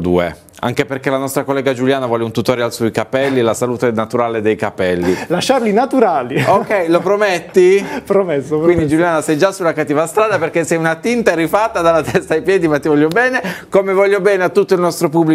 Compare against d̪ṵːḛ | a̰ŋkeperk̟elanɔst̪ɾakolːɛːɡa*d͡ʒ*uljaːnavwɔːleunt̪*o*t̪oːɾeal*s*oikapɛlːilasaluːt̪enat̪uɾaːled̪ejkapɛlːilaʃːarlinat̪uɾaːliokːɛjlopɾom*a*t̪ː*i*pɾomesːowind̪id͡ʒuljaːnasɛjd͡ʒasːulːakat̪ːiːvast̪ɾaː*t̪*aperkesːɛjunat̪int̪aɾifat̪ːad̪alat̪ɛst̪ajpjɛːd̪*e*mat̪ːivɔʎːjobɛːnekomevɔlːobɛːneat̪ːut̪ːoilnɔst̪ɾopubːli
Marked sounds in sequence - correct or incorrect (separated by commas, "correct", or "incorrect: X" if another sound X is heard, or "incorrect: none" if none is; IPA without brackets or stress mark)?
correct, incorrect: u, correct, incorrect: e, correct, incorrect: d̪, incorrect: i